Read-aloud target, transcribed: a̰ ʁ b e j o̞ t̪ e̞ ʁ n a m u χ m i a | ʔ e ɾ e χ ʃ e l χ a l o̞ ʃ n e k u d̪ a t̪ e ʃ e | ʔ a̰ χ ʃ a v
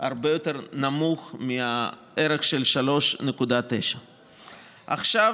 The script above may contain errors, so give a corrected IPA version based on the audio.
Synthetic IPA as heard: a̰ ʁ b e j o̞ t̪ e̞ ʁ n a m u χ m i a | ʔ e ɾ e χ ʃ e l ʃ a l o̞ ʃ n e k u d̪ a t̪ e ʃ a | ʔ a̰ χ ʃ a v